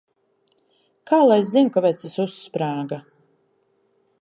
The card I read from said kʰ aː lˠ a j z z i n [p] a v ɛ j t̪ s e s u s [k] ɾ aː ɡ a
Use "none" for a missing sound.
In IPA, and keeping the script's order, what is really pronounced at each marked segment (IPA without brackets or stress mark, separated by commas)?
k, p